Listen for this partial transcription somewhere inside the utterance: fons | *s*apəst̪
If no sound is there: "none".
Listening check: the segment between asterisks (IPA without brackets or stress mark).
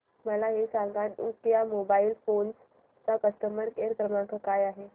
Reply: t͡s